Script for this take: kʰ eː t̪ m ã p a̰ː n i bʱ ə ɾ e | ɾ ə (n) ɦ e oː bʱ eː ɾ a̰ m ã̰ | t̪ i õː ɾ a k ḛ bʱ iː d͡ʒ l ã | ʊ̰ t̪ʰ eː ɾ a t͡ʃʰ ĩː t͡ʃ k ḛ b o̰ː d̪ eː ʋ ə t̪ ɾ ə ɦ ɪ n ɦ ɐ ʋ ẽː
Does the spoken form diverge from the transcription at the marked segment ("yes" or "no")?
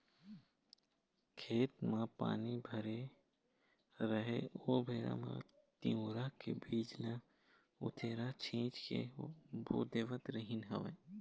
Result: yes